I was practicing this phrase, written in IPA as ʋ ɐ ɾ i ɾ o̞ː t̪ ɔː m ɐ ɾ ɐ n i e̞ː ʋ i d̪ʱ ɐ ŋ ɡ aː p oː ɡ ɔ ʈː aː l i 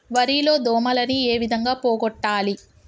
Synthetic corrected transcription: ʋ ɐ ɾ i l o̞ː d̪ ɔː m ɐ l ɐ n i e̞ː ʋ i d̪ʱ ɐ ŋ ɡ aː p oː ɡ ɔ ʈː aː l i